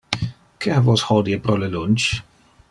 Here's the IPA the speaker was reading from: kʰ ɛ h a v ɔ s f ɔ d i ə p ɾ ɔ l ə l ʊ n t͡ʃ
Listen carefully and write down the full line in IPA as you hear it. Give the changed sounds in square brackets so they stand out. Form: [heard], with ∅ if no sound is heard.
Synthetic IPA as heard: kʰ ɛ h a v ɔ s [h] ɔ d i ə p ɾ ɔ l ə l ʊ n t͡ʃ